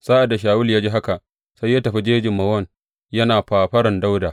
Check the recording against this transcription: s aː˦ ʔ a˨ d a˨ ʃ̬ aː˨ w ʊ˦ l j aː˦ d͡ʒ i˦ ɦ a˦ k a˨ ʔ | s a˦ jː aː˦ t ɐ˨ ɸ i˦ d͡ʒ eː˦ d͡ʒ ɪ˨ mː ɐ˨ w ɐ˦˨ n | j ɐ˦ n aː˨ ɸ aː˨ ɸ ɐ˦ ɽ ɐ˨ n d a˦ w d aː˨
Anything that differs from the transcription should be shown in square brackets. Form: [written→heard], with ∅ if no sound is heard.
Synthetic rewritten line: s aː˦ ʔ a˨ d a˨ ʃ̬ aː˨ w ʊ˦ l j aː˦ d͡ʒ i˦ ɦ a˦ k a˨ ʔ | s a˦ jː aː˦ t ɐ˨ ɸ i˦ d͡ʒ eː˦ d͡ʒ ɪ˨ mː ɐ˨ w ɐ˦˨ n | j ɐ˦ n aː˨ ɸ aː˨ ɸ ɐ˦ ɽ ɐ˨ n d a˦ w d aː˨